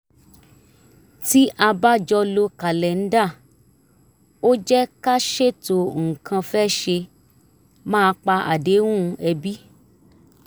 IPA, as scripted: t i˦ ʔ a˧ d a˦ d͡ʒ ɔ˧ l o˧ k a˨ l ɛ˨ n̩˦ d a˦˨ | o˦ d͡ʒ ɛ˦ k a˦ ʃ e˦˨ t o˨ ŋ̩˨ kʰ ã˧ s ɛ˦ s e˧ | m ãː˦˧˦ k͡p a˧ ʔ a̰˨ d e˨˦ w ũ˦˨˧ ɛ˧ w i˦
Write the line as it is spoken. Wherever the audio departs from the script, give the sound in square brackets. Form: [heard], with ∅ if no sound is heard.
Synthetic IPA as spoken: t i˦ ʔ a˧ [b] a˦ d͡ʒ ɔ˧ l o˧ k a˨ l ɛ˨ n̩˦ d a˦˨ | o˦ d͡ʒ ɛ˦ k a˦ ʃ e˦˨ t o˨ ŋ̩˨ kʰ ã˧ [f] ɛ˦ [ʃ] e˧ | m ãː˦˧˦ k͡p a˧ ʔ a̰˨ d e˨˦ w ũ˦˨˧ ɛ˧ [b] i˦